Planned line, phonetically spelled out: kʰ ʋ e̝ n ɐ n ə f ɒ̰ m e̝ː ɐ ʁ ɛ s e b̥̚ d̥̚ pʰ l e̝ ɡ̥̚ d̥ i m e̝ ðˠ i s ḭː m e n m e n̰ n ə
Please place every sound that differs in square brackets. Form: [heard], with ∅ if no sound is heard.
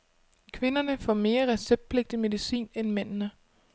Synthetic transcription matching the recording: kʰ ʋ e̝ n ɐ n ə f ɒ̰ m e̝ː ɐ ʁ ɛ s e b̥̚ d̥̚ pʰ l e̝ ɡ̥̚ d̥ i m e̝ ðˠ i s ḭː [n] e n m e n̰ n ə

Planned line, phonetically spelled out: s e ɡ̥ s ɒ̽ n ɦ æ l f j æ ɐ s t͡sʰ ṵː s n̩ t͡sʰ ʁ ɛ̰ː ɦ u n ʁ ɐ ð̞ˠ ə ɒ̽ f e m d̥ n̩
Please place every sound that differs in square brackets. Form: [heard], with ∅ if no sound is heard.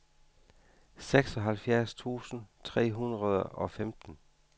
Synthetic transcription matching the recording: s e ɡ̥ s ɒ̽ [∅] ɦ æ l f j æ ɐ s t͡sʰ ṵː s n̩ t͡sʰ ʁ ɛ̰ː ɦ u n ʁ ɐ ð̞ˠ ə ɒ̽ f e m d̥ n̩

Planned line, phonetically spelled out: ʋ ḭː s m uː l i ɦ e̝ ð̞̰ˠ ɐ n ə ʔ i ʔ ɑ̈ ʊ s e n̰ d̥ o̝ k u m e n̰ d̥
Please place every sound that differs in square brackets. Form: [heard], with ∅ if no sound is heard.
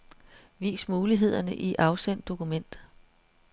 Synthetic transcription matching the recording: ʋ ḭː s m uː l i ɦ e̝ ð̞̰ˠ ɐ n ə ʔ i ʔ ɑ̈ ʊ s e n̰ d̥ o̝ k u m e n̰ d̥

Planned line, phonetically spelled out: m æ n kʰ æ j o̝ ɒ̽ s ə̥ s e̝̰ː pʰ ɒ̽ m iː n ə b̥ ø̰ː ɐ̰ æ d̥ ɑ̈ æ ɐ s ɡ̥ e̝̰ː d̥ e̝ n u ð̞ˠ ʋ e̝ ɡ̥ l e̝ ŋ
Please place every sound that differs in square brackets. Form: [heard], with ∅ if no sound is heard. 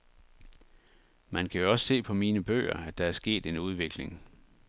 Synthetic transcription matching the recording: m æ n kʰ æ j o̝ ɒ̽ s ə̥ s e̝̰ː pʰ ɒ̽ m iː n ə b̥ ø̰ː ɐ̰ æ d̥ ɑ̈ æ ɐ s ɡ̥ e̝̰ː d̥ e̝ n u ð̞ˠ ʋ e̝ ɡ̥ l e̝ ŋ

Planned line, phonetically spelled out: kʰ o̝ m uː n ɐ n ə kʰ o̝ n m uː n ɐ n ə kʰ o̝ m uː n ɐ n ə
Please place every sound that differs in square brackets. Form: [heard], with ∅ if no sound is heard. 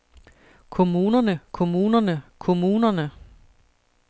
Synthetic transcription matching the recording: kʰ o̝ m uː n ɐ n ə kʰ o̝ [∅] m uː n ɐ n ə kʰ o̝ m uː n ɐ n ə

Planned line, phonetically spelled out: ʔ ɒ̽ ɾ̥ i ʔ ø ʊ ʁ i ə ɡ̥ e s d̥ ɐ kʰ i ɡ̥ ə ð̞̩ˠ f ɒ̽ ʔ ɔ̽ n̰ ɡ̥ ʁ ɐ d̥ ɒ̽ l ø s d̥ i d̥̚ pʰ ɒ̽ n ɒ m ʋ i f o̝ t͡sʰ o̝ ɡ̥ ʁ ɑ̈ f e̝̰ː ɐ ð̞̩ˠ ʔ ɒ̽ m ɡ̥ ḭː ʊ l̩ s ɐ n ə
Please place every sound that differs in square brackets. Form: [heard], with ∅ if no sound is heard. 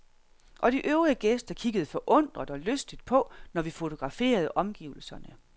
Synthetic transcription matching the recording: ʔ ɒ̽ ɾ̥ i ʔ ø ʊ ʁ i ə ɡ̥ e s d̥ ɐ kʰ i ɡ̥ ə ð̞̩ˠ f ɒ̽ ʔ ɔ̽ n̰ [d̥] ʁ ɐ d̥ ɒ̽ l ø s d̥ i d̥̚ pʰ ɒ̽ n ɒ [∅] ʋ i f o̝ t͡sʰ o̝ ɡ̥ ʁ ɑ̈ f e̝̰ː ɐ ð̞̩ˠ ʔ ɒ̽ m ɡ̥ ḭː ʊ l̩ s ɐ n ə

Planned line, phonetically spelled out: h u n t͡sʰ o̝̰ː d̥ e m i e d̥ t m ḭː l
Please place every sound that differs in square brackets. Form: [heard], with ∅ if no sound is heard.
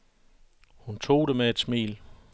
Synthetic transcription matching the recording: h u n t͡sʰ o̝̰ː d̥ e m [e] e d̥ [s] m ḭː l

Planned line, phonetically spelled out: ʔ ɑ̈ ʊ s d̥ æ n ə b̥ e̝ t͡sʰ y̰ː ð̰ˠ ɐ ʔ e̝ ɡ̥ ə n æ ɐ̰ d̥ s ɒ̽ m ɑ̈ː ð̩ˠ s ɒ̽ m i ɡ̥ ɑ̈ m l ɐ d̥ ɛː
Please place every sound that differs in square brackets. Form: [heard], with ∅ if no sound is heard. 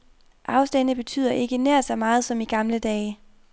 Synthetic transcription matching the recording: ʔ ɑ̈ ʊ s d̥ æ n ə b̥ e̝ t͡sʰ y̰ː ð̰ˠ ɐ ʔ e̝ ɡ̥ ə n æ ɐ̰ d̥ s ɒ̽ m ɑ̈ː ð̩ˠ s ɒ̽ m i ɡ̥ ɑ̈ m l [ə] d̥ ɛː

